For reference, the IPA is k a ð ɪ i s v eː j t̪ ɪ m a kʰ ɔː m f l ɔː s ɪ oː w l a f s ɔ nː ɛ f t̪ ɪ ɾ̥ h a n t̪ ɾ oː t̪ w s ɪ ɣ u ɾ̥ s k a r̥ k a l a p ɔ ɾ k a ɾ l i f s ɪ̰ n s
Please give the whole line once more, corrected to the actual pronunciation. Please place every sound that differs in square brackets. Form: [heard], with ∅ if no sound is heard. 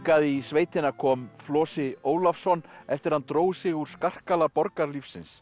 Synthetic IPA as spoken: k a ð ɪ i s v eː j t̪ ɪ [n] a kʰ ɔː m f l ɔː s ɪ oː w l a f s ɔ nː ɛ f t̪ ɪ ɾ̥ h a n t̪ ɾ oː [∅] w s ɪ ɣ u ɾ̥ s k a r̥ k a l a p ɔ ɾ k a ɾ l i f s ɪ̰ n s